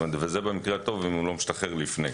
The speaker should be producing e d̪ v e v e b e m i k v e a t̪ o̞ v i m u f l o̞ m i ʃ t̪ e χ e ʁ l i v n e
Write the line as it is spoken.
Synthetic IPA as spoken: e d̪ v e z e b e m i k ʁ e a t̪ o̞ v i m u l o̞ m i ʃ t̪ a χ e ʁ l i f n e